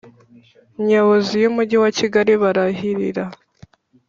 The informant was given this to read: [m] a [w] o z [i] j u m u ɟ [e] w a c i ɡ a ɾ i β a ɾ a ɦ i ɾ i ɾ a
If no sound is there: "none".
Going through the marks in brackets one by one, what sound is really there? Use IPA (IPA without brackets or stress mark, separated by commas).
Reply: ɲ, β, i, i